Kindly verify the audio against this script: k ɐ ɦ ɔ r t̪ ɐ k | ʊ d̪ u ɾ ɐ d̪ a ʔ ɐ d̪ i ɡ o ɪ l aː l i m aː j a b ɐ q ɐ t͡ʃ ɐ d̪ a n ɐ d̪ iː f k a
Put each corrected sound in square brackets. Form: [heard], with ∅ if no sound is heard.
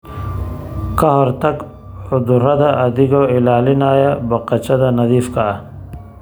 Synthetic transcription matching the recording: k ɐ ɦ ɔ [ɾ] t̪ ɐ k | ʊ d̪ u ɾ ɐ d̪ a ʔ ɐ d̪ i ɡ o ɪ l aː l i [n] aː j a b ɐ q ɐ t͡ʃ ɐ d̪ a n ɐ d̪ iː f k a